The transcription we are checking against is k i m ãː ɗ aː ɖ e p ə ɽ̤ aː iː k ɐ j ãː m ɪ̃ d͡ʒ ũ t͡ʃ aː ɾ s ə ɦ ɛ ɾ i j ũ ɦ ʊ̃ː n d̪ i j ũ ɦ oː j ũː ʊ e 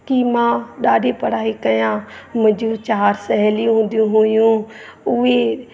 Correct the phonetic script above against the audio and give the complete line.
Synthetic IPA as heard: k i m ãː ɗ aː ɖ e p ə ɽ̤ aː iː k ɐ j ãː m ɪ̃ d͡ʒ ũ t͡ʃ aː ɾ s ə ɦ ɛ l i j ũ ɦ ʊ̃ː n d̪ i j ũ ɦ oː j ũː ʊ e